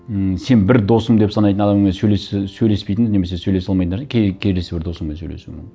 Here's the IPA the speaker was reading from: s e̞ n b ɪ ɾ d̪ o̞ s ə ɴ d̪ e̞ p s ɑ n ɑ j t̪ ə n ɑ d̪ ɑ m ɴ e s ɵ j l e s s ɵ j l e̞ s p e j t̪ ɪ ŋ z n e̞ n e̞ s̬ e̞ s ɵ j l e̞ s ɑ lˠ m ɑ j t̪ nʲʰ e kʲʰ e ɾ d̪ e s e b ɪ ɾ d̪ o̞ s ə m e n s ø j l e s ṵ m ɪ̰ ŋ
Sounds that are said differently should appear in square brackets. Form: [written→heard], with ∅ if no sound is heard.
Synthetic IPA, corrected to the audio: s e̞ n b ɪ ɾ d̪ o̞ s ə [ɴ→m] d̪ e̞ p s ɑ n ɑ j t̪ ə n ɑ d̪ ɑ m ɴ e s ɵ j l e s s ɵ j l e̞ s p e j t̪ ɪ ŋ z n e̞ [n→m] e̞ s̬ e̞ s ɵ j l e̞ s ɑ lˠ m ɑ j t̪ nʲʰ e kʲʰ e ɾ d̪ e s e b ɪ ɾ d̪ o̞ s ə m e n s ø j l e s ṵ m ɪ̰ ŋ

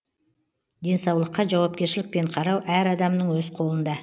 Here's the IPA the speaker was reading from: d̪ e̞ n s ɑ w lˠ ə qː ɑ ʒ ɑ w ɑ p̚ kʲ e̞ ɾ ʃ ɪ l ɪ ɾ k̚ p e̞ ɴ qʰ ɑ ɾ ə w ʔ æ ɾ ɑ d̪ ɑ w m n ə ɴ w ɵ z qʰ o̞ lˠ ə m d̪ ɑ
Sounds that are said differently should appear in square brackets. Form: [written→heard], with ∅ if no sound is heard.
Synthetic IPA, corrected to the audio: d̪ e̞ n s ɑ w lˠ ə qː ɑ ʒ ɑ w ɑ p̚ kʲ e̞ ɾ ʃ ɪ l ɪ [ɾ→∅] k̚ p e̞ ɴ qʰ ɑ ɾ [ə→ɑ] w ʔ æ ɾ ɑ d̪ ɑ [w→∅] m n ə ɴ w ɵ z qʰ o̞ lˠ ə [m→n] d̪ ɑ

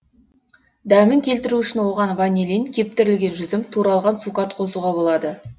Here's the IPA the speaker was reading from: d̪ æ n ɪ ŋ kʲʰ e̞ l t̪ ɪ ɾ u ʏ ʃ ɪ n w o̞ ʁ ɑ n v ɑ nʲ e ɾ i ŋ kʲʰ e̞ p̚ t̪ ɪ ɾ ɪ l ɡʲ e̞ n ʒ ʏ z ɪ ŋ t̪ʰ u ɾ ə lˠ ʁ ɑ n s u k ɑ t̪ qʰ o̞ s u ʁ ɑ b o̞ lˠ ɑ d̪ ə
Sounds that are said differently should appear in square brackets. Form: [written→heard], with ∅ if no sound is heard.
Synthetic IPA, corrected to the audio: d̪ æ [n→m] ɪ ŋ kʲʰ e̞ l t̪ ɪ ɾ u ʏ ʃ ɪ n w o̞ ʁ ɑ n v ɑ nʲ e [ɾ→l] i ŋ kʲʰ e̞ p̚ t̪ ɪ ɾ ɪ l ɡʲ e̞ n ʒ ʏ z ɪ [ŋ→m] t̪ʰ u ɾ [ə→ɑ] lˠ ʁ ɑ n s u k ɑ t̪ qʰ o̞ s u ʁ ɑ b o̞ lˠ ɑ d̪ ə

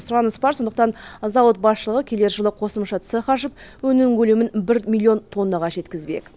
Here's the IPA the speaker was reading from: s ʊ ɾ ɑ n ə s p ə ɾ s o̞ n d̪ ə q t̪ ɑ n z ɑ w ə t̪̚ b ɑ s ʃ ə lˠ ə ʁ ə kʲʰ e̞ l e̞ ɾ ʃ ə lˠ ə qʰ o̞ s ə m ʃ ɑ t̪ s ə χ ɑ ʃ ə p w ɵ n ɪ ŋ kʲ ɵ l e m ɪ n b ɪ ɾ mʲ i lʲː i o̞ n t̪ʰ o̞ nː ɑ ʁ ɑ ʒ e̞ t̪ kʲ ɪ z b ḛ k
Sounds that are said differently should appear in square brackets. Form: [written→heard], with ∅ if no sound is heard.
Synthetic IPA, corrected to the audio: s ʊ ɾ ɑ n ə s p [ə→ɑ] ɾ s o̞ n d̪ ə q t̪ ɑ n z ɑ w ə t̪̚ b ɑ s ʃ ə lˠ ə ʁ ə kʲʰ e̞ l e̞ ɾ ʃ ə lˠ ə qʰ o̞ s ə m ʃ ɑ t̪ s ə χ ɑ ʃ ə p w ɵ n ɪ ŋ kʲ ɵ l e m ɪ n b ɪ ɾ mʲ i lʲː i o̞ n t̪ʰ o̞ nː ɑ ʁ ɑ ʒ e̞ t̪ kʲ ɪ z b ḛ k

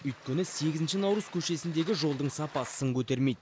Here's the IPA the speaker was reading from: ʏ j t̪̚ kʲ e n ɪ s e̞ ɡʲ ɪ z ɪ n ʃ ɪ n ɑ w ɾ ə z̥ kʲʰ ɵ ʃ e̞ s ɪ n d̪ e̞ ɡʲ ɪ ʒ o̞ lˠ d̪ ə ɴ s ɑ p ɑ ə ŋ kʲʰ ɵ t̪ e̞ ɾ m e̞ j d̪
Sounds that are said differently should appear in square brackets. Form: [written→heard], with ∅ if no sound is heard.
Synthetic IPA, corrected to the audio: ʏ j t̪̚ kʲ e n ɪ s e̞ ɡʲ ɪ z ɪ n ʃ ɪ n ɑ w ɾ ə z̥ kʲʰ ɵ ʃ e̞ s ɪ n d̪ e̞ ɡʲ ɪ ʒ o̞ lˠ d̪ ə ɴ s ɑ p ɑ ə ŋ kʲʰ ɵ t̪ e̞ ɾ m e̞ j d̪

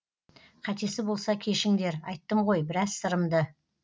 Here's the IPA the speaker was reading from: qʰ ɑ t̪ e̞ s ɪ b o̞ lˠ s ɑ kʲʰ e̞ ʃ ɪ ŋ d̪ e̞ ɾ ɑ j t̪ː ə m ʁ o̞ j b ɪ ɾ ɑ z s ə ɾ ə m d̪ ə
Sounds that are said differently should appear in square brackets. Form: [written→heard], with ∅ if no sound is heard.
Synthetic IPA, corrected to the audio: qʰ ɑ t̪ e̞ s ɪ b o̞ lˠ s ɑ kʲʰ e̞ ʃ ɪ ŋ d̪ e̞ ɾ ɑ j t̪ː ə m ʁ o̞ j b ɪ ɾ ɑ z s ə ɾ ə m d̪ ə

